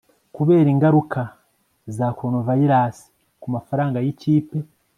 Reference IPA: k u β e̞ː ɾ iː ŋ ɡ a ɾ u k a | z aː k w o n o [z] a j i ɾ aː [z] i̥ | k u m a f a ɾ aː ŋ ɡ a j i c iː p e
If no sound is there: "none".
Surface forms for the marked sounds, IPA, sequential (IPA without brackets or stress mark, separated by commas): v, s